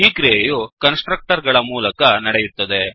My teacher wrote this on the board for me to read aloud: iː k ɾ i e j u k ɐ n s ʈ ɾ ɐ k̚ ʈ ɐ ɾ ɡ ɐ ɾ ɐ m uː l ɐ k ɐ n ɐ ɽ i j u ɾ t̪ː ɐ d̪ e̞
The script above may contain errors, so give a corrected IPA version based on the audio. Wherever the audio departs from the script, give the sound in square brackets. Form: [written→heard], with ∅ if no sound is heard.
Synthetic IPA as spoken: iː k ɾ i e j u k ɐ n s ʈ ɾ ɐ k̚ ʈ ɐ ɾ ɡ ɐ [ɾ→ɭ] ɐ m uː l ɐ k ɐ n ɐ ɽ [i→e] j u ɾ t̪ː ɐ d̪ e̞